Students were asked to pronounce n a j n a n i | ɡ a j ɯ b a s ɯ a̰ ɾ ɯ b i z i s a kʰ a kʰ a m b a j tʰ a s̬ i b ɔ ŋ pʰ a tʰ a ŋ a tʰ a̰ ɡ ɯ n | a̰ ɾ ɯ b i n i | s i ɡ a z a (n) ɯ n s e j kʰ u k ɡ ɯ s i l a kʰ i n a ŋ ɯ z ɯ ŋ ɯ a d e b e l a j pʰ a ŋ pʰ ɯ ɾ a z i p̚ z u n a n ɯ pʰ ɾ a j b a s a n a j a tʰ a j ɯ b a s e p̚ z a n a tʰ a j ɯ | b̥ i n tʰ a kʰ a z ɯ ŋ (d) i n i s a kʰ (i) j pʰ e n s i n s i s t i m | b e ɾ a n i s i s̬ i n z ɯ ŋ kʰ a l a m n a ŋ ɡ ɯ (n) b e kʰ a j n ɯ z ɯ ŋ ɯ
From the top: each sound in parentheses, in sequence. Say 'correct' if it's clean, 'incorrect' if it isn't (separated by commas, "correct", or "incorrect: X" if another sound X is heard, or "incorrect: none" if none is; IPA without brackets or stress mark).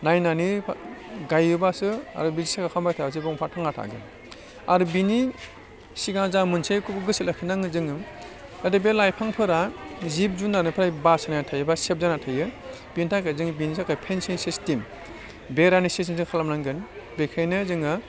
incorrect: m, incorrect: b, incorrect: a, correct